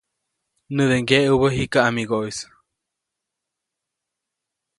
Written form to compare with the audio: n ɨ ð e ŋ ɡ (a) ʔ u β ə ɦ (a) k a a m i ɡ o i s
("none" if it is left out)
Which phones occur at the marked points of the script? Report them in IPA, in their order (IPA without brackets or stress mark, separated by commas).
e, i